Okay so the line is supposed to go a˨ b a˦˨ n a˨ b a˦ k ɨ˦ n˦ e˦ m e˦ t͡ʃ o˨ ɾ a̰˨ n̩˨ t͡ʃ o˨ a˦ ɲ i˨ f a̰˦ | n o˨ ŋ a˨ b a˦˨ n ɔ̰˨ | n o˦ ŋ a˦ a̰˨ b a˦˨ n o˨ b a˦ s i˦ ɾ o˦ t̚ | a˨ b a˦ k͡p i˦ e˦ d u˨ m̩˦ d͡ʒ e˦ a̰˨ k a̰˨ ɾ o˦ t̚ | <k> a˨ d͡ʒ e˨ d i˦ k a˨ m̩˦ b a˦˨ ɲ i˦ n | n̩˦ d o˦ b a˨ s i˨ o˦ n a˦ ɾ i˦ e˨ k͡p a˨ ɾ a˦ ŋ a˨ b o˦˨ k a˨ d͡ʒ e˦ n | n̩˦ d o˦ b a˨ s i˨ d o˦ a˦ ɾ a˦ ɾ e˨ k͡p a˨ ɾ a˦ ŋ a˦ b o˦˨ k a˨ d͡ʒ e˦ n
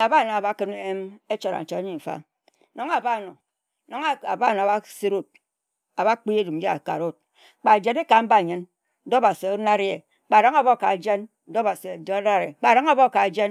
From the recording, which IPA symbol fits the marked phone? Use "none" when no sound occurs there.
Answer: k͡p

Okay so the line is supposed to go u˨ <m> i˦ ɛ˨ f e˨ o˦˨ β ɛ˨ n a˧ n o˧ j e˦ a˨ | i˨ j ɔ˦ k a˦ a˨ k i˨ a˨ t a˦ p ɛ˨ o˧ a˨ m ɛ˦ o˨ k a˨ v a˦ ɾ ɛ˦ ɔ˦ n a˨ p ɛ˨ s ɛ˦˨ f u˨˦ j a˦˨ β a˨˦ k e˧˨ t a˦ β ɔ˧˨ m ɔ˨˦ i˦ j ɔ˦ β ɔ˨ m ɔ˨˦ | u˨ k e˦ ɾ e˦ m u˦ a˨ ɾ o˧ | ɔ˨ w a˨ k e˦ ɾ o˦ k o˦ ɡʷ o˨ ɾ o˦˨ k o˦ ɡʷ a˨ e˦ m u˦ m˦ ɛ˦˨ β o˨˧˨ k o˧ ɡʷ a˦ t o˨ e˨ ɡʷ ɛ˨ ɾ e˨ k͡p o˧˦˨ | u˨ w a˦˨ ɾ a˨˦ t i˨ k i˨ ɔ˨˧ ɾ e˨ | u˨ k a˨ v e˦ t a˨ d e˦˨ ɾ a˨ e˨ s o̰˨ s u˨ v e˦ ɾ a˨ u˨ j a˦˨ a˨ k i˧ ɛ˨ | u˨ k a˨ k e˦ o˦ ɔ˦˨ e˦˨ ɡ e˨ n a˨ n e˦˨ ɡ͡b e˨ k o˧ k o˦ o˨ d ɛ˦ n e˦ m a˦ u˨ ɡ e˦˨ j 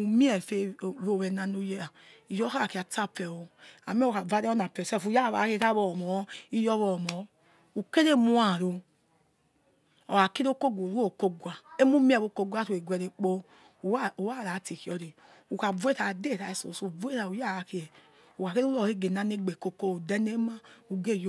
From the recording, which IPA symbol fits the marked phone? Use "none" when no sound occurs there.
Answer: m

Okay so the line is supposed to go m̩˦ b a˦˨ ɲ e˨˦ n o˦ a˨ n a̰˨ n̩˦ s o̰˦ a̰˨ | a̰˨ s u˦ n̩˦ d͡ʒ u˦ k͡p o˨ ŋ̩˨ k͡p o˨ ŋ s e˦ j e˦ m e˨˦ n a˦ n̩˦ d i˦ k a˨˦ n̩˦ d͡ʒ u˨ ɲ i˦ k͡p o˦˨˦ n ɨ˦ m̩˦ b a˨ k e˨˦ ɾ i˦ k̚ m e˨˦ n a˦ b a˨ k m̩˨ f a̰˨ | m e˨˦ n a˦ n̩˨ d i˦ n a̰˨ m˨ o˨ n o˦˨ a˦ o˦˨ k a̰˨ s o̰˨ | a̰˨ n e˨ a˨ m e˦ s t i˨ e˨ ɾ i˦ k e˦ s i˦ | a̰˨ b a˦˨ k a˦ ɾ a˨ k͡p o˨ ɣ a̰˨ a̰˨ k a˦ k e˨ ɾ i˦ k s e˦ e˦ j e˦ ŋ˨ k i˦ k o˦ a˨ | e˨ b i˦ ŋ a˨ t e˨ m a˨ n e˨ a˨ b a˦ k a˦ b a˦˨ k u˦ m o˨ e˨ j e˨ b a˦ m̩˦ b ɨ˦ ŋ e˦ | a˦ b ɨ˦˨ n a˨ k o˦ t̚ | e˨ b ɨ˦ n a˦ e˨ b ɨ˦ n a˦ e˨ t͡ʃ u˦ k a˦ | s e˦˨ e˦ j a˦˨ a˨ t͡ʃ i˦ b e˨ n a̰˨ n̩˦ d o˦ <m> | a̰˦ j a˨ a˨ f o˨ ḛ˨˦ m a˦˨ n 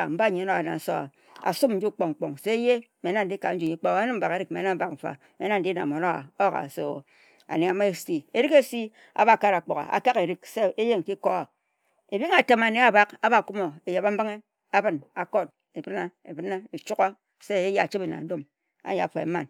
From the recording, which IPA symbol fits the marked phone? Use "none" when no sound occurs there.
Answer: m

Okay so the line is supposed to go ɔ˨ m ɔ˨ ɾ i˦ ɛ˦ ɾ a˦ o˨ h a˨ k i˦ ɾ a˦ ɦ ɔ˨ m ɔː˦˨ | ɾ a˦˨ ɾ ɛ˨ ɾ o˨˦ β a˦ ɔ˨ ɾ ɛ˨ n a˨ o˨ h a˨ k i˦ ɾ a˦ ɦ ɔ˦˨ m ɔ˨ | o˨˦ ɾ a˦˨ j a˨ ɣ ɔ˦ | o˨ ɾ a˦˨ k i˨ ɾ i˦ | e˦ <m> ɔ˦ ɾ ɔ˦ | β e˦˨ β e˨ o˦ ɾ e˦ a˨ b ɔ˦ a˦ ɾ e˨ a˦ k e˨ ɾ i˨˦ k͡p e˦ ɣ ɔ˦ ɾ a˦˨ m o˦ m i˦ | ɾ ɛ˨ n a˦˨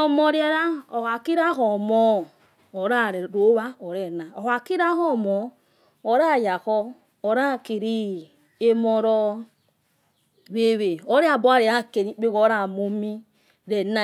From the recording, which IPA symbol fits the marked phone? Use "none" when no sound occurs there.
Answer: m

